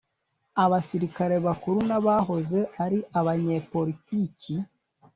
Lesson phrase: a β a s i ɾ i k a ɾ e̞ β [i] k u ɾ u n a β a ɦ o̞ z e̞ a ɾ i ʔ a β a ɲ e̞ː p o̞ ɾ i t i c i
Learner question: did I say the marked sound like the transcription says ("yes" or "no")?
no